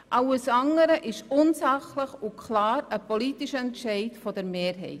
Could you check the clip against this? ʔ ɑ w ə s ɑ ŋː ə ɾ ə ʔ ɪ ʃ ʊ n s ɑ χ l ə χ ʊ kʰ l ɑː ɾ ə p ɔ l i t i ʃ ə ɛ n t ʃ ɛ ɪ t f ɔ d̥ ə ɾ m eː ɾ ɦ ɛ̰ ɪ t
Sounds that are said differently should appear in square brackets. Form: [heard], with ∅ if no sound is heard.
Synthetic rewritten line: ʔ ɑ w ə s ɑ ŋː ə ɾ ə ʔ ɪ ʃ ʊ n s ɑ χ l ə χ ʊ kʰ l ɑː ɾ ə p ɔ l i t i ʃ ə ɛ n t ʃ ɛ ɪ t f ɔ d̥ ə ɾ m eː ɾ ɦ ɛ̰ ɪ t